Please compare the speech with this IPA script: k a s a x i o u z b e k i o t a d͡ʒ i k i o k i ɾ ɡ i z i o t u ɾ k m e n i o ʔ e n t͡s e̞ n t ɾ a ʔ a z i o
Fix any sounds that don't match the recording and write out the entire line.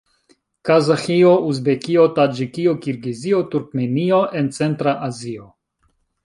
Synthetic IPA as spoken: k a z a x i o u z b e k i o t a d͡ʒ i k i o k i ɾ ɡ i z i o t u ɾ k m e n i o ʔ e n t͡s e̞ n t ɾ a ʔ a z i o